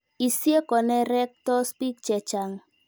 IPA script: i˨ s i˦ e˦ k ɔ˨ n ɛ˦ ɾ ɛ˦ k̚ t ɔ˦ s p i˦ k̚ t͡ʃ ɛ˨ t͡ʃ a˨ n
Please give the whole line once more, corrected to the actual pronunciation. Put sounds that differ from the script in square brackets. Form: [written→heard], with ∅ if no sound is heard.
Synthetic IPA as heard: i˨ s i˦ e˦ k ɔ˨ n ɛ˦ ɾ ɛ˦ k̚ t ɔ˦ s p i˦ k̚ t͡ʃ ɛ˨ t͡ʃ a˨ [n→ŋ]